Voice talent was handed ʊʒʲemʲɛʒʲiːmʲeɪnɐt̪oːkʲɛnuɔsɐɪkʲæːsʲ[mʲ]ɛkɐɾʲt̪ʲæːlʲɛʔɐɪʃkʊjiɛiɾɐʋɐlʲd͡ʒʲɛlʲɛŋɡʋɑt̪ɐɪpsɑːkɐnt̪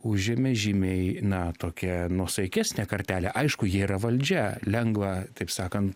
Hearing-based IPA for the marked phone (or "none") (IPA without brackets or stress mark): nʲ